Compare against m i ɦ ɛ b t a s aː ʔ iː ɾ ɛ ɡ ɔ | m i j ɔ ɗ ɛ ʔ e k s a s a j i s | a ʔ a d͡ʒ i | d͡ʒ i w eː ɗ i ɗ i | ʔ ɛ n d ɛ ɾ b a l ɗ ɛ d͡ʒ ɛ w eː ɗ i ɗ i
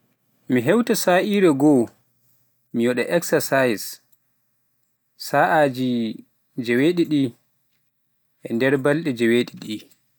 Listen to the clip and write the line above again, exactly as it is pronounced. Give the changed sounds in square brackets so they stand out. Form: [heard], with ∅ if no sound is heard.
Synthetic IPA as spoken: m i ɦ ɛ [w] t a s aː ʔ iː ɾ ɛ ɡ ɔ | m i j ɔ ɗ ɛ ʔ [ɛ] k s a s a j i s | a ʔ a d͡ʒ i | d͡ʒ [ɛ] w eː ɗ i ɗ i | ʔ ɛ n d ɛ ɾ b a l ɗ ɛ d͡ʒ ɛ w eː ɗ i ɗ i